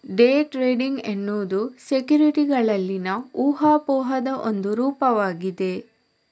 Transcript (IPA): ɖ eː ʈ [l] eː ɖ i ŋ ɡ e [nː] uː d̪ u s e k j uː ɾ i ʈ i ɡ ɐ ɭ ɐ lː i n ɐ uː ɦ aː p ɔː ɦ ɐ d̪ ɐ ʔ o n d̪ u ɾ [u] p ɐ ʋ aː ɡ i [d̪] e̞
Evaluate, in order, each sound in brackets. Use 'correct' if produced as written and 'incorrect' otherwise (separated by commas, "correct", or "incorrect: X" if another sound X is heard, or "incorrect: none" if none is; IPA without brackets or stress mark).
incorrect: ɾ, correct, incorrect: uː, correct